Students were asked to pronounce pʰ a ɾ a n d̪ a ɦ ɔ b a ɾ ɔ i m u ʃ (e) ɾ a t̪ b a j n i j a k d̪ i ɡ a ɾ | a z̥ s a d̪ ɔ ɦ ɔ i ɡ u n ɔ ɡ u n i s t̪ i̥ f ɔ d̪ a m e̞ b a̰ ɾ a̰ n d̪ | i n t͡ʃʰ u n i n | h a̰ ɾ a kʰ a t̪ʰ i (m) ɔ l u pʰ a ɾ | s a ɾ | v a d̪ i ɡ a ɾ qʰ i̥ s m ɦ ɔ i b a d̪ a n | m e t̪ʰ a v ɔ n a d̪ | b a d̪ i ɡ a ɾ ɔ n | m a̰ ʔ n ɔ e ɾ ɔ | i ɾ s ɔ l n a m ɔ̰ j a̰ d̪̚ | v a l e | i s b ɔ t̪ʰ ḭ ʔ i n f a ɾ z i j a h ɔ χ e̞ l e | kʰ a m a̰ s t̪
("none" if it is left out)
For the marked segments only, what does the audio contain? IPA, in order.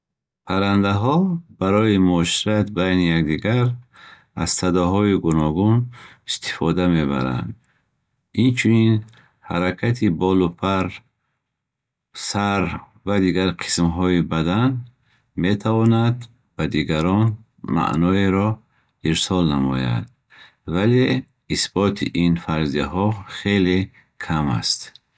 i, b

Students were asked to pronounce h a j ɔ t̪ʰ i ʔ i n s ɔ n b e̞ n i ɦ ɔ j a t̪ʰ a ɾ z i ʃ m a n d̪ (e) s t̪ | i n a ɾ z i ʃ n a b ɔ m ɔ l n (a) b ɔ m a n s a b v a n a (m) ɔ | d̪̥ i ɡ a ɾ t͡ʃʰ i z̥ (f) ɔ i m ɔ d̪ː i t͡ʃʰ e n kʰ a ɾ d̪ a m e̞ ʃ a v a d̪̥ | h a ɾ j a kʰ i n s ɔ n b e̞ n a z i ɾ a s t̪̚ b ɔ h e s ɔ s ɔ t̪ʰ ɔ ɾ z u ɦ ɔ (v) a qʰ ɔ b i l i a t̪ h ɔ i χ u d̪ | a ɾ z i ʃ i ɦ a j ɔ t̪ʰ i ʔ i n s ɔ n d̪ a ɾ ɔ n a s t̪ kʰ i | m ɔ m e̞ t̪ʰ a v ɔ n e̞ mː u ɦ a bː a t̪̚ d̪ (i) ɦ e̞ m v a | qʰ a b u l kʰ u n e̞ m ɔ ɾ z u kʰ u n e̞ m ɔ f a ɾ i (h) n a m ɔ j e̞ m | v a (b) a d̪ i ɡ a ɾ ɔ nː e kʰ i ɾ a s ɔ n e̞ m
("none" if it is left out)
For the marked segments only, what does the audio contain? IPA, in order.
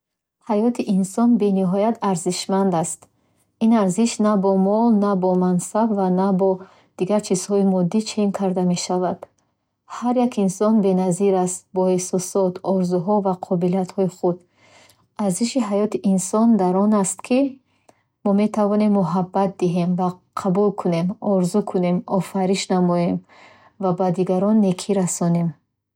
a, a, b, h, v, i, ʃ, b

